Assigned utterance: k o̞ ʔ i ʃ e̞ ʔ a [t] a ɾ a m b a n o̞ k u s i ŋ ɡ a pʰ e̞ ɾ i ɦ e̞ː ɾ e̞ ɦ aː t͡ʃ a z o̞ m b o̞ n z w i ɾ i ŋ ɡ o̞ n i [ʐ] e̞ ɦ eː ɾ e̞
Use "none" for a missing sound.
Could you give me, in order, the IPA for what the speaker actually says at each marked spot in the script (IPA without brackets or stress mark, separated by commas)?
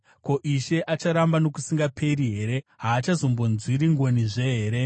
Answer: t͡ʃ, ʐ